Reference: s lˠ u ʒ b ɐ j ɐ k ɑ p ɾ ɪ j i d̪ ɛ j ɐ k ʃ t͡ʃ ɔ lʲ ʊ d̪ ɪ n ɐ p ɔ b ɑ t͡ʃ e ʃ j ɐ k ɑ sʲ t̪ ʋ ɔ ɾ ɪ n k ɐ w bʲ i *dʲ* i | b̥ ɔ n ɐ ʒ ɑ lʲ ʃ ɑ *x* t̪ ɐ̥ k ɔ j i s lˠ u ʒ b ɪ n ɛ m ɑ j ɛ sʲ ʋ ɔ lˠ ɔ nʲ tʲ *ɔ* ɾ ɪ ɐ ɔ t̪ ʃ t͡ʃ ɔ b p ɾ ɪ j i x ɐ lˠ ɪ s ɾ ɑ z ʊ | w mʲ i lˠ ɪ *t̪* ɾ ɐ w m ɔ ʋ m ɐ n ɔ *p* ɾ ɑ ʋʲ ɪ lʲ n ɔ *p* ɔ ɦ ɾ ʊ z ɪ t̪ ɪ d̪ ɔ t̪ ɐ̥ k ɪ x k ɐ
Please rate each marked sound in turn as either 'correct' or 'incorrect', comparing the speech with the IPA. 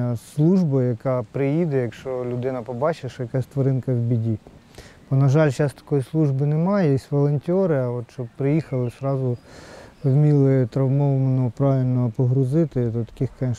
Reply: correct, incorrect, correct, correct, correct, correct

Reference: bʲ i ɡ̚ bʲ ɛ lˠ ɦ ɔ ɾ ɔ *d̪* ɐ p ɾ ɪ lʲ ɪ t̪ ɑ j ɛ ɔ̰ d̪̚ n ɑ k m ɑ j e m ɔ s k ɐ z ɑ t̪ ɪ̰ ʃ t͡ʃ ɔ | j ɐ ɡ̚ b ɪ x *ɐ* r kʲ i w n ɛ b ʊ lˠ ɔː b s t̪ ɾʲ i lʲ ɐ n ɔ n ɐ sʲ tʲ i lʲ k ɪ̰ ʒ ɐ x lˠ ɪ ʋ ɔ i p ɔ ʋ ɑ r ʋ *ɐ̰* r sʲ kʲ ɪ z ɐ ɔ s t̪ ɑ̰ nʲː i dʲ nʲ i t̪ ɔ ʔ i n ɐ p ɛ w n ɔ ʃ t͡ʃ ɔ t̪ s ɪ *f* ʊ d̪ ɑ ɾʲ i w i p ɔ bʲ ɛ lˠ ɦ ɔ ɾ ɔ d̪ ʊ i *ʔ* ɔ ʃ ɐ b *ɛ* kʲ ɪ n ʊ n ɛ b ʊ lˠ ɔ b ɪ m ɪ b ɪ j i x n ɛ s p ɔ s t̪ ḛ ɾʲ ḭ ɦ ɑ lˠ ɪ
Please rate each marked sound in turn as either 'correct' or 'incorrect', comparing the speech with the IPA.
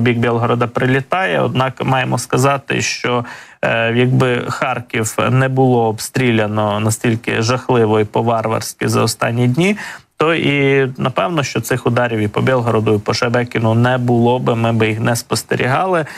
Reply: correct, incorrect, correct, incorrect, incorrect, correct

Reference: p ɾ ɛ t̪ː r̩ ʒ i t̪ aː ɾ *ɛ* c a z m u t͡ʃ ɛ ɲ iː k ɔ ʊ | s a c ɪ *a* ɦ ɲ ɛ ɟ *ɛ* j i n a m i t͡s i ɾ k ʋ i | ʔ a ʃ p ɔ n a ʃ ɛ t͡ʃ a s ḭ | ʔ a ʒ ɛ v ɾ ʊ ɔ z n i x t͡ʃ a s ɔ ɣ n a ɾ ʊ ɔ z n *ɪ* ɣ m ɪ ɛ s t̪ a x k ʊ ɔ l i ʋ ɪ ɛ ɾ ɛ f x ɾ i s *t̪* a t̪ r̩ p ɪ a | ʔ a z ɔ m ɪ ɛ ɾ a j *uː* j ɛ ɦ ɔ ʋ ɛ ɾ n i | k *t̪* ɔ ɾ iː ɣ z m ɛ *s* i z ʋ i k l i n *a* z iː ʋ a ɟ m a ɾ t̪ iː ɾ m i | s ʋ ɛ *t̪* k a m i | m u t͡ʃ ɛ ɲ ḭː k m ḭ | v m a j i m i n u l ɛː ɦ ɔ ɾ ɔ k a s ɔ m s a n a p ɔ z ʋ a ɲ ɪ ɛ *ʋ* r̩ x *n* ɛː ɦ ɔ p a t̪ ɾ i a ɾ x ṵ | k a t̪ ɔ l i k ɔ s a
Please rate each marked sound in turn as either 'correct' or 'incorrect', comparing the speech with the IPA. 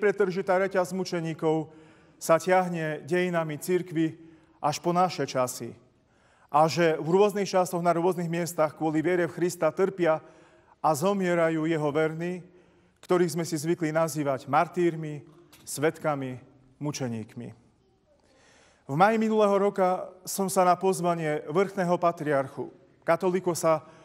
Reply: correct, correct, correct, incorrect, correct, correct, correct, correct, correct, correct, correct, correct

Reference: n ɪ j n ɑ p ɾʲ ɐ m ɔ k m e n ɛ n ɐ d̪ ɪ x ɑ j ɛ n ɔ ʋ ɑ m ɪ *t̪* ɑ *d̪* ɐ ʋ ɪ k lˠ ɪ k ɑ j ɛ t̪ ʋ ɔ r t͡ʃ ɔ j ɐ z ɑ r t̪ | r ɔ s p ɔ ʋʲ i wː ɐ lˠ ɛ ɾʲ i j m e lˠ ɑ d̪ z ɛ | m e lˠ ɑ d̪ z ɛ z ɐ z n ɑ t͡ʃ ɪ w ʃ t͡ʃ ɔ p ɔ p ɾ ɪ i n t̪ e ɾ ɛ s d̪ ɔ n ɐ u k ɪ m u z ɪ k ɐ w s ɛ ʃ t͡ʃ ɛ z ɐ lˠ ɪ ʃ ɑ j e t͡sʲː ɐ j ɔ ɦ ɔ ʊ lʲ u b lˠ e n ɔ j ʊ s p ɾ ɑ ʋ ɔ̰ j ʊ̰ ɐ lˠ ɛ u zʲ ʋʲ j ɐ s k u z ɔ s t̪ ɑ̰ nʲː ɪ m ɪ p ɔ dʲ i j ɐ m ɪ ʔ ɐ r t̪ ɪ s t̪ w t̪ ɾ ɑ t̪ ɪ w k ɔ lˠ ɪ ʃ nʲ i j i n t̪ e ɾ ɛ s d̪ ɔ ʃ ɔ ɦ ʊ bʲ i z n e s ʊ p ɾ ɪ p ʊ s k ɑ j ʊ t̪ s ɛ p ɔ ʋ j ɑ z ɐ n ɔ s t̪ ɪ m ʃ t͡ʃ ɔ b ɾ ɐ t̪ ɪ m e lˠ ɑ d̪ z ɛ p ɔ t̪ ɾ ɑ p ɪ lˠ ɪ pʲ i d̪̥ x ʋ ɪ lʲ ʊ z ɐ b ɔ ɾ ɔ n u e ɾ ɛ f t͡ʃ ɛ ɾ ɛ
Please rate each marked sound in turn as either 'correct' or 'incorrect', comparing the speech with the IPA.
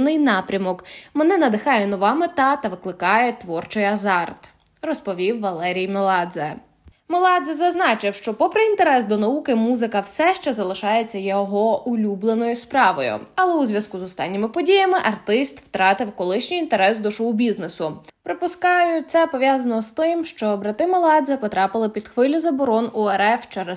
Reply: correct, incorrect

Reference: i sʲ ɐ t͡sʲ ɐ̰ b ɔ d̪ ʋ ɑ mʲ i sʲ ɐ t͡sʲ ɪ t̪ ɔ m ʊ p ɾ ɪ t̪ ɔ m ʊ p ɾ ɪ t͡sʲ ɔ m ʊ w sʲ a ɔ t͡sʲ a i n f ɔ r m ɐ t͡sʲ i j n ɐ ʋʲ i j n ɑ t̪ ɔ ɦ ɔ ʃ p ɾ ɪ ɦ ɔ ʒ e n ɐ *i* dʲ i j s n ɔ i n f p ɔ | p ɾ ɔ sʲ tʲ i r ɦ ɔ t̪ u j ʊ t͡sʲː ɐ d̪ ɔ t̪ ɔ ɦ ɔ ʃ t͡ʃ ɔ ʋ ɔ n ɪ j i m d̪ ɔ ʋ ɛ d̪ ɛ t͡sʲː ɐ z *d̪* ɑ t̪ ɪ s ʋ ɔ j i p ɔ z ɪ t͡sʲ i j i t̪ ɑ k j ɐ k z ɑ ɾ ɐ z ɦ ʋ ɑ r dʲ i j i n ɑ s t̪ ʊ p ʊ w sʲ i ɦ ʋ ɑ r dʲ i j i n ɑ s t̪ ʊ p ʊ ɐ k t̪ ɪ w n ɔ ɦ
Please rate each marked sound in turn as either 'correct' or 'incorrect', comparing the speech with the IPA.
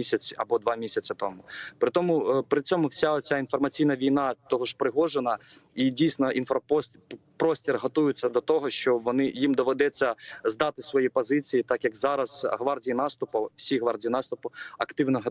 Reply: correct, correct

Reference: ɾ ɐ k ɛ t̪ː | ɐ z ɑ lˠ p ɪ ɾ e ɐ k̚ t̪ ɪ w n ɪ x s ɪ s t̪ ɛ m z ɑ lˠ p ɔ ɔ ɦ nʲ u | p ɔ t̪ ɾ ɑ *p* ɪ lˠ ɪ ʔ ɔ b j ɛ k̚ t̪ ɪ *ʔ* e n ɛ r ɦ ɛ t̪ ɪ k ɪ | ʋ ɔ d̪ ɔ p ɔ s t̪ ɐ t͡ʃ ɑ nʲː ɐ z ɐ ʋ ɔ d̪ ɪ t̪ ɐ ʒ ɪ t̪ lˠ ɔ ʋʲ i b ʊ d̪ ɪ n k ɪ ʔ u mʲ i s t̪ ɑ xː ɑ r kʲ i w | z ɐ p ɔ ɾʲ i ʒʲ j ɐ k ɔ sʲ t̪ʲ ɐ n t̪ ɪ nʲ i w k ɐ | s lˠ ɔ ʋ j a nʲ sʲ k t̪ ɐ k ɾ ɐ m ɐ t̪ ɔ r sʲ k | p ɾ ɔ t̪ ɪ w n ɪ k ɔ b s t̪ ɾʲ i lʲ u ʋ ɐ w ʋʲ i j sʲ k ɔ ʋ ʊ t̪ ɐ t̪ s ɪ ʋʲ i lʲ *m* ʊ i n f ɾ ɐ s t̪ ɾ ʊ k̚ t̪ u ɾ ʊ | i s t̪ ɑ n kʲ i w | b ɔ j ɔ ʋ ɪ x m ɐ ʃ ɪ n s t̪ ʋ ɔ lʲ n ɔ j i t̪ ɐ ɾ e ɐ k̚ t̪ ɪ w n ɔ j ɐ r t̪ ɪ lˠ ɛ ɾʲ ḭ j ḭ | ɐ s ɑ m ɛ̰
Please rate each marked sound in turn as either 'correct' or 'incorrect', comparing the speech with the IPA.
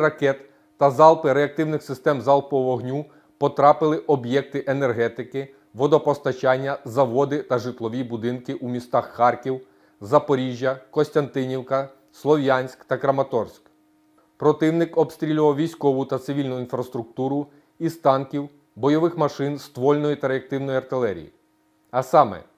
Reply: correct, correct, incorrect

